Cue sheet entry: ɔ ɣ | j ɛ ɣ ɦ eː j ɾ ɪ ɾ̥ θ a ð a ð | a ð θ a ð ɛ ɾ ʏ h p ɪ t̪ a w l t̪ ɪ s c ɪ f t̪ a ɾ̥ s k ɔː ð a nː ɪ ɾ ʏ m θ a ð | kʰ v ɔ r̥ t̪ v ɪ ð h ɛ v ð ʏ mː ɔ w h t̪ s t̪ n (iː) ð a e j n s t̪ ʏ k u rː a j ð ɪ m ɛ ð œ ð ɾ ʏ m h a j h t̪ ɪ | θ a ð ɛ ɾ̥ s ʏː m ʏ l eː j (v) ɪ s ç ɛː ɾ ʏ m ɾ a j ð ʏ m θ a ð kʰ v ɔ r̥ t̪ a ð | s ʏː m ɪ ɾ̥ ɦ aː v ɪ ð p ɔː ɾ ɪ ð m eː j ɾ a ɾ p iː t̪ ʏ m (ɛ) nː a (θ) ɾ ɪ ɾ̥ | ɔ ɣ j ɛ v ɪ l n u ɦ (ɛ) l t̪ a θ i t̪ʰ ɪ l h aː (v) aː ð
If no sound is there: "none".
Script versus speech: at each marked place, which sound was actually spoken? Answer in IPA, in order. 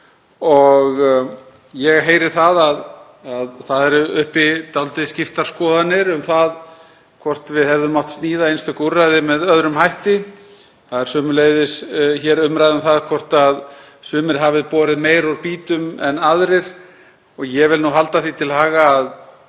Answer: iː, ð, ɛ, ð, a, ɣ

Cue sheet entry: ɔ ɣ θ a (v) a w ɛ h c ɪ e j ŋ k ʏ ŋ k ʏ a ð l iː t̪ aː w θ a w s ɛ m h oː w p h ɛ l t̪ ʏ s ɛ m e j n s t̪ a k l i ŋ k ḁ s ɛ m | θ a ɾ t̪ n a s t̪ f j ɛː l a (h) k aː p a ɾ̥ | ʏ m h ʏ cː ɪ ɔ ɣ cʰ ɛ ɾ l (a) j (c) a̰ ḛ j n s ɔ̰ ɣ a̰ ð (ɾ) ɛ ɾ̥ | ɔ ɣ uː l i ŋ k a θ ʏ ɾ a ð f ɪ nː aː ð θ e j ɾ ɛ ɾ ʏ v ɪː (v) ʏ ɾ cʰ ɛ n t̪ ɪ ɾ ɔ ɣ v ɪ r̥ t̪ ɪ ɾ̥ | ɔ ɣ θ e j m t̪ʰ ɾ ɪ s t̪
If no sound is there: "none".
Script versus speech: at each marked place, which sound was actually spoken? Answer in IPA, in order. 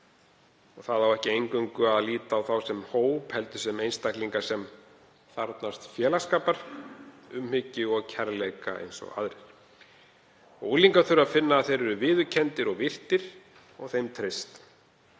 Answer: ð, s, e, k, ɾ, ð

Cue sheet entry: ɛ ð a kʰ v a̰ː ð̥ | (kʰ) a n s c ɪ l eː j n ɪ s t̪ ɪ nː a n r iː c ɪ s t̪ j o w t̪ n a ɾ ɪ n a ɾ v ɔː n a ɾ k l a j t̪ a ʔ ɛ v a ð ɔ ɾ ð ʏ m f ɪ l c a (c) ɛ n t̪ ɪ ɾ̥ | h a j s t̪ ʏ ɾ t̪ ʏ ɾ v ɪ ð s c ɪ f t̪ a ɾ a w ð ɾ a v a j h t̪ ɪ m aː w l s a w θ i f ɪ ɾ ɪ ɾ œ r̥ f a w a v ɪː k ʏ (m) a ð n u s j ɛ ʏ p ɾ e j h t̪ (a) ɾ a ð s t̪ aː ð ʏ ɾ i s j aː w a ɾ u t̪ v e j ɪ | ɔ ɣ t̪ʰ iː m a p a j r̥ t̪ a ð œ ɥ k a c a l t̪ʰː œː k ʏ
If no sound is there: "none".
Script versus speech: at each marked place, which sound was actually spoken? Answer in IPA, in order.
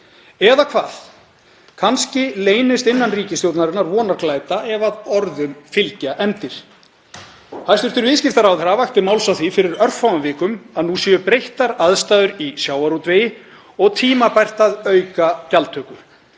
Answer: kʰ, ʔ, m, a

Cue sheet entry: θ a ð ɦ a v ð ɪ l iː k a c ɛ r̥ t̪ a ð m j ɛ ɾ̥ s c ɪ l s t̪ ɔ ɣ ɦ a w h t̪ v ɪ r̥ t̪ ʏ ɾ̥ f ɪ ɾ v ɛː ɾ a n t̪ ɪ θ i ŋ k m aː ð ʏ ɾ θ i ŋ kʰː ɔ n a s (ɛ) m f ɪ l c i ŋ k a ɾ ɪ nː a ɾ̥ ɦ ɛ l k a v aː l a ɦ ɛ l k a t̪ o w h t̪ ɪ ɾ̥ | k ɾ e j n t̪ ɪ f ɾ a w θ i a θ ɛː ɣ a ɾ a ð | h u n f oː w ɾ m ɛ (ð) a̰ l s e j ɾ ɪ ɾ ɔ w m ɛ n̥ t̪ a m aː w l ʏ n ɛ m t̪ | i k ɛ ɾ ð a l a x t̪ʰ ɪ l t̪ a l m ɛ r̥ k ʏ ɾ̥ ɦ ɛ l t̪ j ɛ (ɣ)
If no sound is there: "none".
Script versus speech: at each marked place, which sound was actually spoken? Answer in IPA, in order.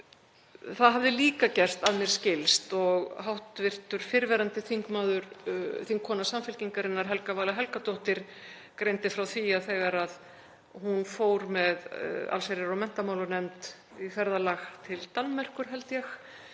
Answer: a, ð, x

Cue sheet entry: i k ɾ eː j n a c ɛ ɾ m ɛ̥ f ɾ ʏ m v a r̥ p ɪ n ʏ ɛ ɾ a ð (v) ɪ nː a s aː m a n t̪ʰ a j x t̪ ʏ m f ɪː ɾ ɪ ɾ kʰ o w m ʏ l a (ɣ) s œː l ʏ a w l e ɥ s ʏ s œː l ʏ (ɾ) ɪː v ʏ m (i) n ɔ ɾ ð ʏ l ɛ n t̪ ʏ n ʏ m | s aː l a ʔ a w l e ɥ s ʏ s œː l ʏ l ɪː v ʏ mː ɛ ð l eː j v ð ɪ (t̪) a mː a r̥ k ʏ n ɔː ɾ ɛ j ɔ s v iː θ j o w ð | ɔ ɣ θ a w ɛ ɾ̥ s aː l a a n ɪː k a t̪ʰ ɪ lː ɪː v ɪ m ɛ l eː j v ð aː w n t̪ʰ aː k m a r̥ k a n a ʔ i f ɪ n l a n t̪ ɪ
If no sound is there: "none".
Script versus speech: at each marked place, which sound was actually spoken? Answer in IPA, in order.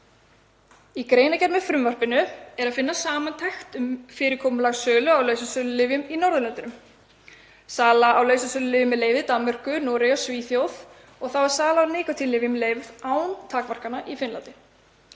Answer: f, ɣ, l, i, t̪

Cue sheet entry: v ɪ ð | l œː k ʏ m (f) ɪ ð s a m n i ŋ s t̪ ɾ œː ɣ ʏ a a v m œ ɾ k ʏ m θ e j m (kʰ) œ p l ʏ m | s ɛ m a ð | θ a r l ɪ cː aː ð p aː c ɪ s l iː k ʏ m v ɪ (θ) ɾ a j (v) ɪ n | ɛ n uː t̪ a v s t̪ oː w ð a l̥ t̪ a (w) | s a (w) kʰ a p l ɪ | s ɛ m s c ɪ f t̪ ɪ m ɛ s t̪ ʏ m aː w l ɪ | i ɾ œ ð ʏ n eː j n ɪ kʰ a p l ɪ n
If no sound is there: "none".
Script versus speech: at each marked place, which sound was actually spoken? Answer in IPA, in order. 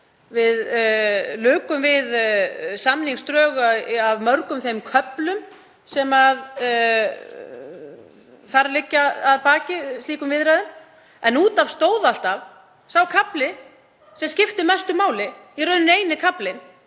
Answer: v, kʰ, ð, ð, v, w

